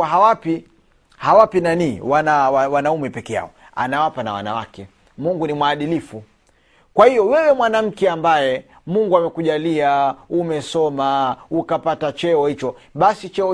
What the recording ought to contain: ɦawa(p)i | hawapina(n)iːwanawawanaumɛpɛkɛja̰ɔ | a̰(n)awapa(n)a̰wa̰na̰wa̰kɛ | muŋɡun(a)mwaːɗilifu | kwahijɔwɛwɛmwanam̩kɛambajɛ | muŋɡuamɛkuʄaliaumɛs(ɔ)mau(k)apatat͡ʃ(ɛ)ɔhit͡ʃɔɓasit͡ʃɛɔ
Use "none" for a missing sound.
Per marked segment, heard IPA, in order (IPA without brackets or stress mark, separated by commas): p, n, n, n, i, ɔ, k, ɛ